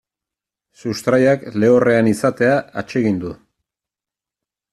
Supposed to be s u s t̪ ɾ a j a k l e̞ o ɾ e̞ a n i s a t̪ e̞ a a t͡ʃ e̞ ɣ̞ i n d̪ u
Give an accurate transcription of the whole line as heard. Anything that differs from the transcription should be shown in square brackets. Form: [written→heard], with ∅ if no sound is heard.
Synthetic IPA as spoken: s u s t̪ ɾ a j a k l e̞ o [ɾ→r] e̞ a n i s a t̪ e̞ a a t͡ʃ e̞ ɣ̞ i n d̪ u